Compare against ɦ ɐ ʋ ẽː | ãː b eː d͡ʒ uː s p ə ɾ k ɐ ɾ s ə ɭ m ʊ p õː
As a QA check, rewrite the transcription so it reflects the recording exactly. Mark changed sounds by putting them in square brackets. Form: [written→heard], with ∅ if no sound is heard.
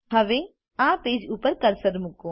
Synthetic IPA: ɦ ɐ ʋ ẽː | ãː [b→p] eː d͡ʒ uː [s→∅] p ə ɾ k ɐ ɾ s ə [ɭ→ɾ] m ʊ [p→k] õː

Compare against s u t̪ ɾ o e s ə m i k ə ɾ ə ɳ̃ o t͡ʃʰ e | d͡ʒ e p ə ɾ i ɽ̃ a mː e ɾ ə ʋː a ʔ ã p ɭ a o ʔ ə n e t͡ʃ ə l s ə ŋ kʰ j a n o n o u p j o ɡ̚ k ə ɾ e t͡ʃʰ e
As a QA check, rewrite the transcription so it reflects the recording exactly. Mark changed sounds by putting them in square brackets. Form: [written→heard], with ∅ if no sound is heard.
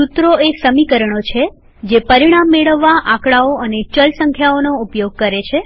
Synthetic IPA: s u t̪ ɾ o e s ə m i k ə ɾ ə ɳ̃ o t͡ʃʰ e | d͡ʒ e p ə ɾ i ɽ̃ a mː e [ɾ→ɭ] ə ʋː a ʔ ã [p→k] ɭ a o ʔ ə n e t͡ʃ ə l s ə ŋ kʰ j a [n→∅] o n o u p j o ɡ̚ k ə ɾ e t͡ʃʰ e

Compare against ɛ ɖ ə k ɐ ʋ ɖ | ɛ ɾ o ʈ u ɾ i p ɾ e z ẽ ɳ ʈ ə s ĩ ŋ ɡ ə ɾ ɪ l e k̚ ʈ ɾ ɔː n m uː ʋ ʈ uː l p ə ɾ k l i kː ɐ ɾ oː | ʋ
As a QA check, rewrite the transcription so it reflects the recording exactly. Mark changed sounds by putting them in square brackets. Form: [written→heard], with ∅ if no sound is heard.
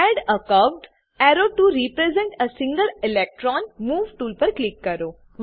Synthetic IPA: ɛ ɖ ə k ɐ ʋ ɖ | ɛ ɾ o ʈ u ɾ i p ɾ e z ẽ ɳ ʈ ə s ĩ ŋ ɡ ə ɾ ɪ l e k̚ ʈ ɾ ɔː n m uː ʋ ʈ uː l p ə ɾ k l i kː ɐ ɾ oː | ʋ

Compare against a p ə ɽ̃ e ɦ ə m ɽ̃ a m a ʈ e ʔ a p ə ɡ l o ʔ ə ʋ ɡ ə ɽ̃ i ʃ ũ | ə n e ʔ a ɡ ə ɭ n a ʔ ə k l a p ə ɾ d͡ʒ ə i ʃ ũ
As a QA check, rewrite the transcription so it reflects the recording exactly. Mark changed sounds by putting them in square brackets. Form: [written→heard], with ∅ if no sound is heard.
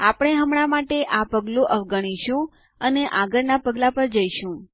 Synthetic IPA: a p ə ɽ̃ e ɦ ə m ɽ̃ a m a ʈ e ʔ a p ə ɡ l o ʔ ə ʋ ɡ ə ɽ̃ i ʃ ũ | ə n e ʔ a ɡ ə [ɭ→ɾ] n a [ʔ→p] ə [k→ɡ] l a p ə ɾ d͡ʒ ə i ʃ ũ

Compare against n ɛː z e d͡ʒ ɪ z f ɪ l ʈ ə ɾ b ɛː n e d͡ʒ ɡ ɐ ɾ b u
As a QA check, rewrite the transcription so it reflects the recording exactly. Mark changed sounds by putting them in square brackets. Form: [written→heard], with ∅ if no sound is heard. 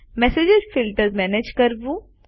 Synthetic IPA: [n→m] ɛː [z→s] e d͡ʒ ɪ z f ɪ l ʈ ə ɾ [b→m] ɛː n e d͡ʒ [ɡ→k] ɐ ɾ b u

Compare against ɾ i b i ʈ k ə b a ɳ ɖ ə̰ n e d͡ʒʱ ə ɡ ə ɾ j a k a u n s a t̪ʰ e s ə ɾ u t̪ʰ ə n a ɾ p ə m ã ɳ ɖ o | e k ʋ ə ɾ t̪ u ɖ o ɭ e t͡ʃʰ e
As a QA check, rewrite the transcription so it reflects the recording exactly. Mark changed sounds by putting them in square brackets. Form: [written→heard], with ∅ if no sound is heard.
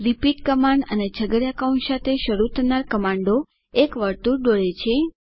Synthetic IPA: ɾ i [b→p] i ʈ k ə [b→m] a ɳ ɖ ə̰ n e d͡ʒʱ ə ɡ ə ɾ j a k a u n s a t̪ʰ e [s→ʃ] ə ɾ u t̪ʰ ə n a ɾ [p→k] ə m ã ɳ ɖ o | e k ʋ ə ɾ t̪ u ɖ o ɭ e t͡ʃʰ e

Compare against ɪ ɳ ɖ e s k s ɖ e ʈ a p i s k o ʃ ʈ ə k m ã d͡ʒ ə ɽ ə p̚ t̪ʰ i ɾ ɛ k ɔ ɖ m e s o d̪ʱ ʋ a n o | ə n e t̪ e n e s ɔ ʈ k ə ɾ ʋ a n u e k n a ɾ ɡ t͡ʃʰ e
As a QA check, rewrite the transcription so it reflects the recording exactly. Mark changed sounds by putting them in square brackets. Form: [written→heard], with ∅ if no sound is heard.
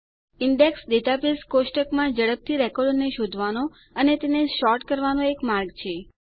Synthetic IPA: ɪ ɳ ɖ e [s→∅] k s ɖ e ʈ a p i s k o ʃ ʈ ə k m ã d͡ʒ ə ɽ ə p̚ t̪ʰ i ɾ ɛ k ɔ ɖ [m→n] e [s→ʃ] o d̪ʱ ʋ a n o | ə n e t̪ e n e [s→ʃ] ɔ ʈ k ə ɾ ʋ a n [u→o] e k [n→m] a ɾ ɡ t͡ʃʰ e

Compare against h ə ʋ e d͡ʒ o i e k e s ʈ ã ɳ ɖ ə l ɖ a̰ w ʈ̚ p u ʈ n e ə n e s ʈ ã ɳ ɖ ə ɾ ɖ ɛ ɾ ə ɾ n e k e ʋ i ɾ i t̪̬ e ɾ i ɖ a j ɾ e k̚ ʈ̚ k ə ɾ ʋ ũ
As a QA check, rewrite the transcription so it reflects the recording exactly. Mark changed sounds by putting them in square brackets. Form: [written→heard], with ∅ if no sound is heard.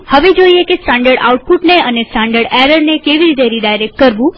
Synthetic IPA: h ə ʋ e d͡ʒ o i e k e s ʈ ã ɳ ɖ ə [l→ɾ] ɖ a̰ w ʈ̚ p u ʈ n e ə n e s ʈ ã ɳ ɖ ə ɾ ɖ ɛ ɾ ə ɾ n e k e ʋ i ɾ i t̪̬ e ɾ i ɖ a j ɾ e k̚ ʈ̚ k ə ɾ ʋ ũ

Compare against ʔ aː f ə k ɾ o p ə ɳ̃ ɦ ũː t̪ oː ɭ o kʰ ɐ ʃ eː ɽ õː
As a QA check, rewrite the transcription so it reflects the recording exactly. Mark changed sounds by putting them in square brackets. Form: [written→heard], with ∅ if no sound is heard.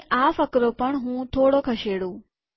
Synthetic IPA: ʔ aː f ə k ɾ o p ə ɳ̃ ɦ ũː [t̪→t̪ʰ] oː [ɭ→ɽ] o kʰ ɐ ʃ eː ɽ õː

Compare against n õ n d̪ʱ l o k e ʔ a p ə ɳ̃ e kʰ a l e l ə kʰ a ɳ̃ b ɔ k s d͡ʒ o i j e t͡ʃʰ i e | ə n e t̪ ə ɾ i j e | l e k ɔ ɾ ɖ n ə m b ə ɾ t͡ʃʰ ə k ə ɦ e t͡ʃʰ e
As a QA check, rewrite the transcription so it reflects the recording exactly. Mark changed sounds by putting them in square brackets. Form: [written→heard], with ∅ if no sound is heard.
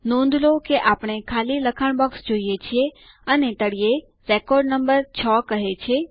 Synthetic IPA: n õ n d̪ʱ l o k e ʔ a p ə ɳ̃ e kʰ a l [e→i] l ə kʰ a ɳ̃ b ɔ k s d͡ʒ o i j e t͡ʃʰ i e | ə n e t̪ ə [ɾ→ɽ] i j e | [l→ɾ] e k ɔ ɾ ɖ n ə m b ə ɾ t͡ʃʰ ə k ə ɦ e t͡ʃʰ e

